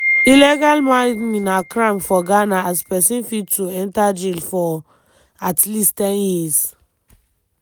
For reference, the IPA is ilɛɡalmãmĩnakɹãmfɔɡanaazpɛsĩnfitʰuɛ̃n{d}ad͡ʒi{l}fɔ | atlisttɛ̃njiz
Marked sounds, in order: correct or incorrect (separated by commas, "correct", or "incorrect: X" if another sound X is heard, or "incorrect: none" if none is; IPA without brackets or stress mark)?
incorrect: t, correct